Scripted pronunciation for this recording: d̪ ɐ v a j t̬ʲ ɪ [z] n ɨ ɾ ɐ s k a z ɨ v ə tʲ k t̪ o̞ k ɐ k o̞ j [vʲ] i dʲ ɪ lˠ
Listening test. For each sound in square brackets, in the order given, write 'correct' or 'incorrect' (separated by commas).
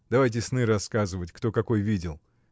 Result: incorrect, correct